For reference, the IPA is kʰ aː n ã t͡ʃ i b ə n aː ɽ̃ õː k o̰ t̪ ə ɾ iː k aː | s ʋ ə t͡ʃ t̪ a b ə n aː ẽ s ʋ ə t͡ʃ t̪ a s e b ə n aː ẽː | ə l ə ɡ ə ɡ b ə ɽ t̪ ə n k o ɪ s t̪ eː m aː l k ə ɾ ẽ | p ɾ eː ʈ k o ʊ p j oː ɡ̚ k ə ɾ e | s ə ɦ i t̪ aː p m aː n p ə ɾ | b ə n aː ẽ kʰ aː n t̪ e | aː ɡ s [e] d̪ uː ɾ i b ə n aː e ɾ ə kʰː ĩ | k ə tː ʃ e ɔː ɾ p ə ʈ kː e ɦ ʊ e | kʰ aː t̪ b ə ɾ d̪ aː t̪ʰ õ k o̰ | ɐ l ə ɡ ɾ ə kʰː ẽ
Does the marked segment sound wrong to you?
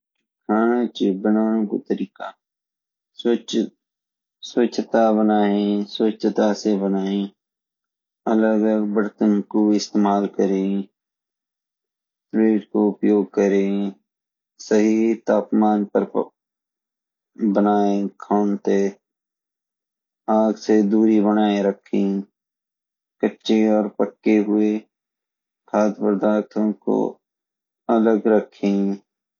no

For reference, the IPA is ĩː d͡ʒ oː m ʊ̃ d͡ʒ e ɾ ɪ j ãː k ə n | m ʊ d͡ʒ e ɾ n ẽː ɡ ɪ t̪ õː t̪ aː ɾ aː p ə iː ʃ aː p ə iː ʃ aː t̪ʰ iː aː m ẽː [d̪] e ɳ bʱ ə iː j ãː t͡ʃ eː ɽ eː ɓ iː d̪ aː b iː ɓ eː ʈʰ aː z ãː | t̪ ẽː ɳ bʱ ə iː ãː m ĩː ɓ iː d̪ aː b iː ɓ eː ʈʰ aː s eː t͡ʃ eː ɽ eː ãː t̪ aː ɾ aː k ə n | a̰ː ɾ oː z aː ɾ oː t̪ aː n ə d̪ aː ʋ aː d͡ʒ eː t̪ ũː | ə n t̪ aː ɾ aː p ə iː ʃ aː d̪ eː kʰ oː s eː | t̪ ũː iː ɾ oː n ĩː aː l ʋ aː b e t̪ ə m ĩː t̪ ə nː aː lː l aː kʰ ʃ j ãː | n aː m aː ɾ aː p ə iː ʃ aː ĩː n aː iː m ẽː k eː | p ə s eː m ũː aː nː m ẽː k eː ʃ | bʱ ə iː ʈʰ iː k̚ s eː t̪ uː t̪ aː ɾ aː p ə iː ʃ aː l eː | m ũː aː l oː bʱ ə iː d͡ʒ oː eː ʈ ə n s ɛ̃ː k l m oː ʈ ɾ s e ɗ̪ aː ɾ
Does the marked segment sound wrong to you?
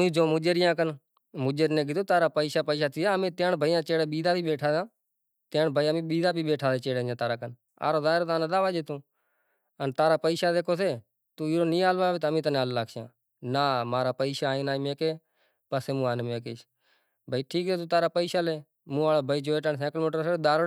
yes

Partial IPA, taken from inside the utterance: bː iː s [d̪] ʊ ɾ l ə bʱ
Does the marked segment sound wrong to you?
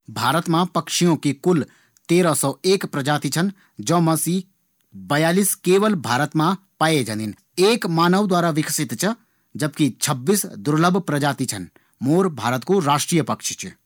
no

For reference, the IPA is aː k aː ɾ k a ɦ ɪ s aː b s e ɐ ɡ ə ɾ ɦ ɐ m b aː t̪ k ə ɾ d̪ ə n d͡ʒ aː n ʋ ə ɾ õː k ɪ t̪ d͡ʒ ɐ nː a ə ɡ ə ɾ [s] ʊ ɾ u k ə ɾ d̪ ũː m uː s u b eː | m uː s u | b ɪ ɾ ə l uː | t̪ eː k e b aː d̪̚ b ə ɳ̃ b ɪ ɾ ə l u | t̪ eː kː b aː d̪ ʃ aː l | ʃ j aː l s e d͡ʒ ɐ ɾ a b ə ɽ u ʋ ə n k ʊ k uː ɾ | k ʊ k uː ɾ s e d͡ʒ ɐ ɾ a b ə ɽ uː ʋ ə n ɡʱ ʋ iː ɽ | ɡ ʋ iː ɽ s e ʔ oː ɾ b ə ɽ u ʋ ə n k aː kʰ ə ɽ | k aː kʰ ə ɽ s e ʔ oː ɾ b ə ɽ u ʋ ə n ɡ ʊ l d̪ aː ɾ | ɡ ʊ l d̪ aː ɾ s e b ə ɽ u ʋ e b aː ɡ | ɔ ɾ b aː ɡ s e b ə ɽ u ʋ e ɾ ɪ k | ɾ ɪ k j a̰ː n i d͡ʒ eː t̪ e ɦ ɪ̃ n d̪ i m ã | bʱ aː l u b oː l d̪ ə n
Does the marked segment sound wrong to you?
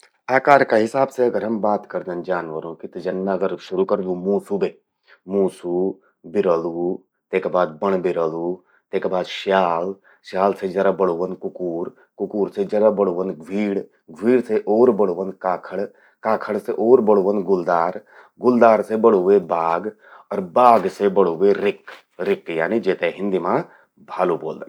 yes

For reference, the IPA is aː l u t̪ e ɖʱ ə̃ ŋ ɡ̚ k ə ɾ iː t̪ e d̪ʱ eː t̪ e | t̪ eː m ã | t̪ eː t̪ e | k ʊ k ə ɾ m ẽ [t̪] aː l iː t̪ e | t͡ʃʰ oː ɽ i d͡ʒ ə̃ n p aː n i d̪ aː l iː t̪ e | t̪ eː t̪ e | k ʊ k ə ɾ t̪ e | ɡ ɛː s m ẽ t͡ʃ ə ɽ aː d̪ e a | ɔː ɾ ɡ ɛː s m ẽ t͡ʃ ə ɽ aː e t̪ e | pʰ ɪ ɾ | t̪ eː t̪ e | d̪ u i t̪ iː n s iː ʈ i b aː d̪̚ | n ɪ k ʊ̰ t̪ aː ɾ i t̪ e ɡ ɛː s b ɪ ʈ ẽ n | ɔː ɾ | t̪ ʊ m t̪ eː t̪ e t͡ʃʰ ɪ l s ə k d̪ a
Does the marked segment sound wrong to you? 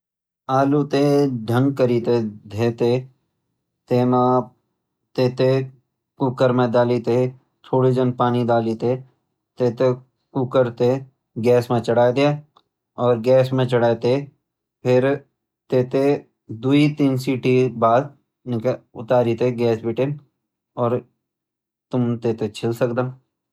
yes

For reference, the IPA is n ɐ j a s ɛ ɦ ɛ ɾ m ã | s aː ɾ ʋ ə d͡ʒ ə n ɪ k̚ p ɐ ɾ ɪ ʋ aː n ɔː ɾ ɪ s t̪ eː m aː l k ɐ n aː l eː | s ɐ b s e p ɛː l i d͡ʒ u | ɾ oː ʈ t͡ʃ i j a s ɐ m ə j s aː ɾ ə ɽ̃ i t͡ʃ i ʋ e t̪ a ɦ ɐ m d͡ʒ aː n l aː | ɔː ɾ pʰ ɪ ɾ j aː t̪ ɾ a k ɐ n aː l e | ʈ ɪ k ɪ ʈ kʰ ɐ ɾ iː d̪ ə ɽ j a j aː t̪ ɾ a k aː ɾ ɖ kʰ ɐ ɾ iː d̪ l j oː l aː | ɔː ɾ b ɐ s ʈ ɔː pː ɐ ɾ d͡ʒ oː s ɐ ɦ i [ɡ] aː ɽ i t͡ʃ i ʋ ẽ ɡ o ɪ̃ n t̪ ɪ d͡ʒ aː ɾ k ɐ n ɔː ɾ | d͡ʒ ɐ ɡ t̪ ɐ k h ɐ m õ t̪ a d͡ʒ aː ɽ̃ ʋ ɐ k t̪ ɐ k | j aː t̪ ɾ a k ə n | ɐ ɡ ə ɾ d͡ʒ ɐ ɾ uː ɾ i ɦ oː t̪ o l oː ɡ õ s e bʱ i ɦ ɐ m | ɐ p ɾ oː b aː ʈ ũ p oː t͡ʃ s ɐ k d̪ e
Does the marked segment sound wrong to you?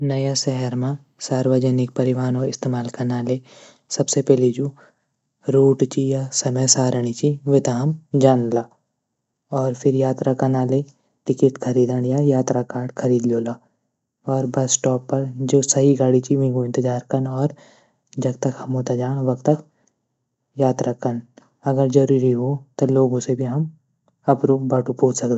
no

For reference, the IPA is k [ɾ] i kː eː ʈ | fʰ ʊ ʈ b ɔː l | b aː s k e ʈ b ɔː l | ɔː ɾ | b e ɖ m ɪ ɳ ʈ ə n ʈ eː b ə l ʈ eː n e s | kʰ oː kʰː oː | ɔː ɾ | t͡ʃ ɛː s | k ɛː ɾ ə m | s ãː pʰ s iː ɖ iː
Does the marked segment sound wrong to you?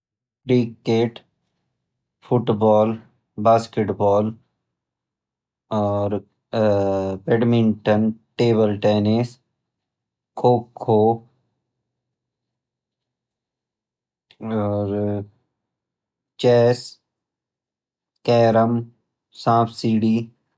no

